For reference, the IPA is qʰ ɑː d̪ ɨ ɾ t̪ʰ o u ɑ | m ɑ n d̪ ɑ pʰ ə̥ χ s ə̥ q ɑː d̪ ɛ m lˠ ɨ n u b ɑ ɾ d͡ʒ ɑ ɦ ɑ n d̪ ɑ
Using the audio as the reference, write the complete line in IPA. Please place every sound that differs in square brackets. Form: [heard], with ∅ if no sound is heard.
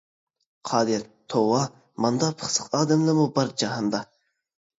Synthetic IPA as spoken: qʰ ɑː d̪ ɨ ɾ t̪ʰ o [w] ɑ | m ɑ n d̪ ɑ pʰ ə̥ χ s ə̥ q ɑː d̪ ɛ m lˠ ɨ [m] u b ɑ ɾ d͡ʒ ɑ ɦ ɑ n d̪ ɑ